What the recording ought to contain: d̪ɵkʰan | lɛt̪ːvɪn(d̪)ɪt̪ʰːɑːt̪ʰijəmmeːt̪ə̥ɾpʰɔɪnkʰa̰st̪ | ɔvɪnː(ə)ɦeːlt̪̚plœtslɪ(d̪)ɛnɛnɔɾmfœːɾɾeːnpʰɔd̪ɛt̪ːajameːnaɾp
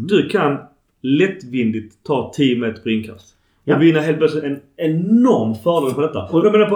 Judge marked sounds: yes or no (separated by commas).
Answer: yes, no, no